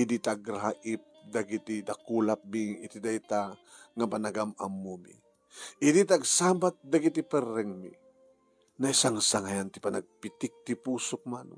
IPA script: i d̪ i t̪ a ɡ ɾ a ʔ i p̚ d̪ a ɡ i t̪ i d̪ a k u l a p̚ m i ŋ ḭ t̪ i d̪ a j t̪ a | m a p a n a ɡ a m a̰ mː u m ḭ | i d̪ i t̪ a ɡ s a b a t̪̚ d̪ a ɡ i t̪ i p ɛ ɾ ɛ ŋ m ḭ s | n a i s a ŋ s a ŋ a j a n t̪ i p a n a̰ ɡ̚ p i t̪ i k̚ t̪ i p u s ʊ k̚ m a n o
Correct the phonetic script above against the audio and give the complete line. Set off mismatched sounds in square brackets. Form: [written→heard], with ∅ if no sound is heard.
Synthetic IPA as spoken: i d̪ i t̪ a ɡ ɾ a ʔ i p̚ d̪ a ɡ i t̪ i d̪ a k u l a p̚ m i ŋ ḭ t̪ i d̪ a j t̪ a | [m→ŋ] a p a n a ɡ a m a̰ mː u m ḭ | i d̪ i t̪ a ɡ s a b a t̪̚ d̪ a ɡ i t̪ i p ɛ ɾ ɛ ŋ m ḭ [s→∅] | n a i s a ŋ s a ŋ a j a n t̪ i p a n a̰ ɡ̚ p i t̪ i k̚ t̪ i p u s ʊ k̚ m a n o